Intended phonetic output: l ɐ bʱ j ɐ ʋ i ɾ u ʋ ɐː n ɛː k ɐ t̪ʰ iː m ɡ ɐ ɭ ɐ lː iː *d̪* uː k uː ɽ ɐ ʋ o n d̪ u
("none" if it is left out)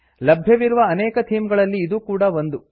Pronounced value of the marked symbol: d̪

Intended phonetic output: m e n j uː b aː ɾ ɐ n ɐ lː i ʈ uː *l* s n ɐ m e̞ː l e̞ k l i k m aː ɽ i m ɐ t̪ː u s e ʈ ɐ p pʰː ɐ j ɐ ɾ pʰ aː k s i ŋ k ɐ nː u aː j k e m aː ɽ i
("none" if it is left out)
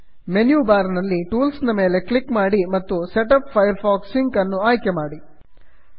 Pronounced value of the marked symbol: l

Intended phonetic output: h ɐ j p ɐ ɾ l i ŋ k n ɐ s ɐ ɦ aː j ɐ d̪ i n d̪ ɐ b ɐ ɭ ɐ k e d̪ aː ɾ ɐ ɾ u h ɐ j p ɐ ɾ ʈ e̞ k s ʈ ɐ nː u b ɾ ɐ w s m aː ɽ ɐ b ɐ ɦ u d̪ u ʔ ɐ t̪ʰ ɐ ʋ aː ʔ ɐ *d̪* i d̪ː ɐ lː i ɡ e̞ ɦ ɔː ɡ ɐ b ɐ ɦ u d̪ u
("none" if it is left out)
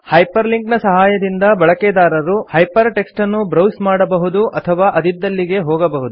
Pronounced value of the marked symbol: d̪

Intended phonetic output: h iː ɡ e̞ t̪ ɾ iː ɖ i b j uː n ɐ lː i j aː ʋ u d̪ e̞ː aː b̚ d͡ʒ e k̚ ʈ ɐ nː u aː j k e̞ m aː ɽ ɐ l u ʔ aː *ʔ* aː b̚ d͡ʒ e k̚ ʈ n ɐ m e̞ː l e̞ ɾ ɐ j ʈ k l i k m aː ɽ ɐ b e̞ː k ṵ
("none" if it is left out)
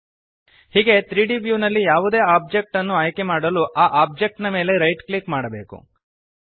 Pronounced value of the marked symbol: ʔ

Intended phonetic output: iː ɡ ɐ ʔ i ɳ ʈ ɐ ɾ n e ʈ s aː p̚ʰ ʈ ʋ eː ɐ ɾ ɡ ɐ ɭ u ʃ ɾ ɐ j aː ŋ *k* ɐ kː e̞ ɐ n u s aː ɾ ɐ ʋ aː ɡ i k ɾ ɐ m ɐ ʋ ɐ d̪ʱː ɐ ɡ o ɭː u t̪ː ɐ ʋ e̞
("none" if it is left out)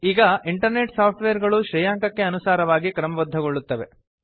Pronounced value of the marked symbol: k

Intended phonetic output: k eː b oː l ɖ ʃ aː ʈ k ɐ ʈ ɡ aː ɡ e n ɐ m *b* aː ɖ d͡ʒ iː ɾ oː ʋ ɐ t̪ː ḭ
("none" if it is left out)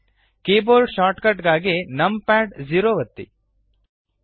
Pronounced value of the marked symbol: p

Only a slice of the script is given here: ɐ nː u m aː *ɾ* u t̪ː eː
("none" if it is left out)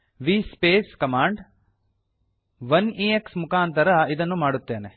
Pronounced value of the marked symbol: ɽ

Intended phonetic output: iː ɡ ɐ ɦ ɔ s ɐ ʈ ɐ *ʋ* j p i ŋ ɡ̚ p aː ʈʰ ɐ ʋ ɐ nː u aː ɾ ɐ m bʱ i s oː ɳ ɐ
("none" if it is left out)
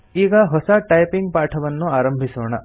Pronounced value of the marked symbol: none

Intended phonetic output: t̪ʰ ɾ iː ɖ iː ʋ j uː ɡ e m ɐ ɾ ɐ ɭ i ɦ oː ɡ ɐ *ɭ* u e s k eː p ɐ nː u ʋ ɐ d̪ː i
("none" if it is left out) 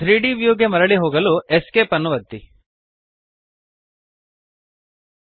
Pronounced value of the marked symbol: l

